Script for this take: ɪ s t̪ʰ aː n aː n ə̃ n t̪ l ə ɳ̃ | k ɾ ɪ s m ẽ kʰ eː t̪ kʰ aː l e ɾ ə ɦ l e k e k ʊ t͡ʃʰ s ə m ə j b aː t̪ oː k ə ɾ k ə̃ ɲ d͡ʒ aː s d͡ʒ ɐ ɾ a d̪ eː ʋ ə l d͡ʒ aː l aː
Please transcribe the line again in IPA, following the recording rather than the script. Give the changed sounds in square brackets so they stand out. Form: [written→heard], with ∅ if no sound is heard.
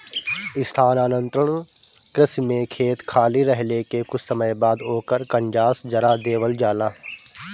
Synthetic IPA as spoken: ɪ s t̪ʰ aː n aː n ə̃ n t̪ [l→ɾ] ə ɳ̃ | k ɾ ɪ s m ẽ kʰ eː t̪ kʰ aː l [e→i] ɾ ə ɦ l e k e k ʊ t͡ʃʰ s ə m ə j b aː [t̪→d̪] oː k ə ɾ k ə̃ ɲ d͡ʒ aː s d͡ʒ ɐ ɾ a d̪ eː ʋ ə l d͡ʒ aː l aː